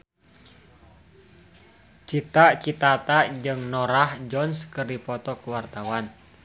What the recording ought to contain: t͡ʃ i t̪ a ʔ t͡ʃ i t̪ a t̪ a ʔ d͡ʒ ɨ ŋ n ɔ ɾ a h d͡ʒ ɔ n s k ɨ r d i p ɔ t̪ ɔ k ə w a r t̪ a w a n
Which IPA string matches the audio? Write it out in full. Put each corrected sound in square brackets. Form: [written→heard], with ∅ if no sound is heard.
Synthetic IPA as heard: t͡ʃ i t̪ a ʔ t͡ʃ i t̪ a t̪ a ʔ d͡ʒ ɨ ŋ n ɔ ɾ a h d͡ʒ ɔ n s k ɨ r d i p ɔ t̪ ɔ k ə w a r t̪ a w a n